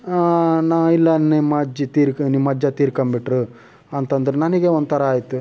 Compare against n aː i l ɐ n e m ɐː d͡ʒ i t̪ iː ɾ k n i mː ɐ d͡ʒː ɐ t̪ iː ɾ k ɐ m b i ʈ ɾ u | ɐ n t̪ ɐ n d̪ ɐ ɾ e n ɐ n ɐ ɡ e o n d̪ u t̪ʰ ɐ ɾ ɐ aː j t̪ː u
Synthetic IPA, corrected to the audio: n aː i lː ɐ n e m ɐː d͡ʒ i t̪ iː ɾ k n i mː ɐ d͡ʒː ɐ t̪ iː ɾ k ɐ m b i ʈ ɾ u | ɐ n t̪ ɐ n d̪ ɐ ɾ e n ɐ n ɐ ɡ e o n d̪ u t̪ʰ ɐ ɾ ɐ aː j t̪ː u